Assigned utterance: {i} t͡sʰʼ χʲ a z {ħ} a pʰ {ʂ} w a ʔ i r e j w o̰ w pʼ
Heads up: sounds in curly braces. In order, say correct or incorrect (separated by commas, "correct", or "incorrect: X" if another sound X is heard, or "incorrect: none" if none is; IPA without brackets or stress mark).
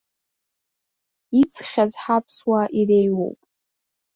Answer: correct, correct, incorrect: s